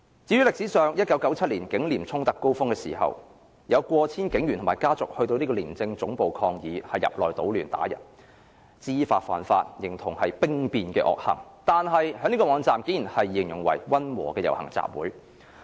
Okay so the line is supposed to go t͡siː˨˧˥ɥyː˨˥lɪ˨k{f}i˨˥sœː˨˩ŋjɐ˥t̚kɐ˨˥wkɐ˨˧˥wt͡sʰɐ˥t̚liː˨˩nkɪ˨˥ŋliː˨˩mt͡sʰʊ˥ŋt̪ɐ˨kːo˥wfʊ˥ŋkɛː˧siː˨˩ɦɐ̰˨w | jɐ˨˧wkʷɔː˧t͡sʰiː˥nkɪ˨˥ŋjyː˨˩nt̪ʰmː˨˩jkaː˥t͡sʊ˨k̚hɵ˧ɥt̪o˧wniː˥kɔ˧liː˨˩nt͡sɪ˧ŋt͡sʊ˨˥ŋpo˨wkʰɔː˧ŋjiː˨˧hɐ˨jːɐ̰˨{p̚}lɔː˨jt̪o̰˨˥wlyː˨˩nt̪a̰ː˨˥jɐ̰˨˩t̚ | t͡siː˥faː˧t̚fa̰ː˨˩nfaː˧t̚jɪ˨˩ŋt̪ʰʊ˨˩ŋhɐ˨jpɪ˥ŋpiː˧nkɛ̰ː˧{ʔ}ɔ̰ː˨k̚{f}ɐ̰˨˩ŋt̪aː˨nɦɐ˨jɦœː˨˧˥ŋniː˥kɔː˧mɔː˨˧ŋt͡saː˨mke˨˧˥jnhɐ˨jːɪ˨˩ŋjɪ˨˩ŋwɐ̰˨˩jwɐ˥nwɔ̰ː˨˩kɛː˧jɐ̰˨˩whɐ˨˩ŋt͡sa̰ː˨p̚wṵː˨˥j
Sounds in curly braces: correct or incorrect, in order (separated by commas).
incorrect, correct, correct, incorrect